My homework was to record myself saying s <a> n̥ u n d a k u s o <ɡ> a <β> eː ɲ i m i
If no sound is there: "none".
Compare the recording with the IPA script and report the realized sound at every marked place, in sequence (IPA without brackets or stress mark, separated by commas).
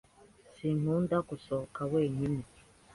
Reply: i, k, w